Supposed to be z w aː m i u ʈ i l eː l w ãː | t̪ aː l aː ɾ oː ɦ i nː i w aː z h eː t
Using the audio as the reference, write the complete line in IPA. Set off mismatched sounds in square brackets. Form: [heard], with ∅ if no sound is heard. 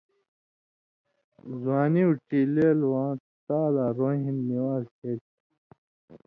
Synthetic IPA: z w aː [n] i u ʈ i l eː l w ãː | t̪ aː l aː ɾ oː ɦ i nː i w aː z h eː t